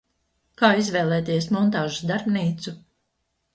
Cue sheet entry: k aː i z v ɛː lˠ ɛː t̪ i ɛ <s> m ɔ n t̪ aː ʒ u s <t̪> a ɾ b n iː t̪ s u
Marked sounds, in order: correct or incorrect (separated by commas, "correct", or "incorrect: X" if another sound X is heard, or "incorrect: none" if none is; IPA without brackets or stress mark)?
correct, incorrect: d̪